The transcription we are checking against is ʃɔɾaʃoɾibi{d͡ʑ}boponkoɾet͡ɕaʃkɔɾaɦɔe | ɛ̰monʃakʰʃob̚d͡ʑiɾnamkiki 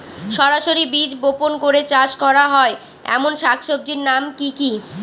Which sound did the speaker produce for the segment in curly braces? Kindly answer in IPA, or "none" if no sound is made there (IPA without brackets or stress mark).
d͡ʑ